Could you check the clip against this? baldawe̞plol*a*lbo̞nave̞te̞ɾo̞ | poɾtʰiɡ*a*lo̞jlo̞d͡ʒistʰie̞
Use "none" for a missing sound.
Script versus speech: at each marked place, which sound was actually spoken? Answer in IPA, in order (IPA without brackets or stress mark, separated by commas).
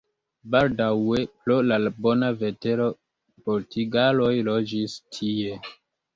a, a